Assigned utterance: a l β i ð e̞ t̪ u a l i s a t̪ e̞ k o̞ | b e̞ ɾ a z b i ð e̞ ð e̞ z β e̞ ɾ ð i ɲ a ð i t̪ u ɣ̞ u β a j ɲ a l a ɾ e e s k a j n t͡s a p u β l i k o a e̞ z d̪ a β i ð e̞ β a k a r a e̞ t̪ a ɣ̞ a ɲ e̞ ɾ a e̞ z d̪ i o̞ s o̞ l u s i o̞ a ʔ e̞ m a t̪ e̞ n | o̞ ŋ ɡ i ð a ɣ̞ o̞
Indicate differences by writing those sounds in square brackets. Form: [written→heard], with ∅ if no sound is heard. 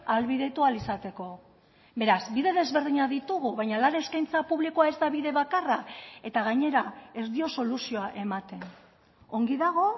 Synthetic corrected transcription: a l β i ð e̞ t̪ u a l i s a t̪ e̞ k o̞ | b e̞ ɾ a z b i ð e̞ ð e̞ z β e̞ ɾ ð i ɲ a ð i t̪ u ɣ̞ u β a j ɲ a l a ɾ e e s k a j n t͡s a p u β l i k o a e̞ z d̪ a β i ð e̞ β a k a r a e̞ t̪ a ɣ̞ a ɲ e̞ ɾ a e̞ z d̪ i o̞ s o̞ l u s i o̞ a ʔ e̞ m a t̪ e̞ n | o̞ ŋ ɡ i ð a ɣ̞ o̞

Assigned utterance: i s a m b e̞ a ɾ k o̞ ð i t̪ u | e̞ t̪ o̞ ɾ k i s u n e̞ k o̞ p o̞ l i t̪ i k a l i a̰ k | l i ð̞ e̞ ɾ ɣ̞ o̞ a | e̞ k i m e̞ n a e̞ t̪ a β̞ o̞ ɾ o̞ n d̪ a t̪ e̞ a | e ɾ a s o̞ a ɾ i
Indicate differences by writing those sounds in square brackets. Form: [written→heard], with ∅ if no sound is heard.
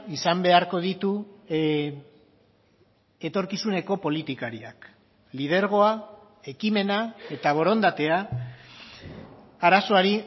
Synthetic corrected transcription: i s a m b e̞ a ɾ k o̞ ð i t̪ u | e̞ t̪ o̞ ɾ k i s u n e̞ k o̞ p o̞ l i t̪ i k a [l→ɾ] i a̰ k | l i ð̞ e̞ ɾ ɣ̞ o̞ a | e̞ k i m e̞ n a e̞ t̪ a β̞ o̞ ɾ o̞ n d̪ a t̪ e̞ a | [e→a] ɾ a s o̞ a ɾ i

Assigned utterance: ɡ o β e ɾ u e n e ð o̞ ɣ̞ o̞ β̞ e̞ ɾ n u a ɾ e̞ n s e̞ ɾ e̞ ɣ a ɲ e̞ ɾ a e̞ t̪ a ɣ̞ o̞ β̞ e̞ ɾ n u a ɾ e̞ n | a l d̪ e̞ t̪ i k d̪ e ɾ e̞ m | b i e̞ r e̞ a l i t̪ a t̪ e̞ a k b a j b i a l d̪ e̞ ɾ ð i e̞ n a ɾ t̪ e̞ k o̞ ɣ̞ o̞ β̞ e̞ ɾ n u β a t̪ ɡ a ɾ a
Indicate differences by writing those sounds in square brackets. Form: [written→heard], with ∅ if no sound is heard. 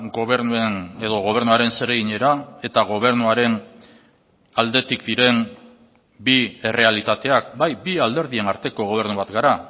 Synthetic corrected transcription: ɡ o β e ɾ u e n e ð o̞ ɣ̞ o̞ β̞ e̞ ɾ n u a ɾ e̞ n s e̞ ɾ e̞ ɣ [a→i] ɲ e̞ ɾ a e̞ t̪ a ɣ̞ o̞ β̞ e̞ ɾ n u a ɾ e̞ n | a l d̪ e̞ t̪ i k d̪ [e→i] ɾ e̞ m | b i e̞ r e̞ a l i t̪ a t̪ e̞ a k b a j b i a l d̪ e̞ ɾ ð i e̞ n a ɾ t̪ e̞ k o̞ ɣ̞ o̞ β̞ e̞ ɾ n u β a t̪ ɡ a ɾ a

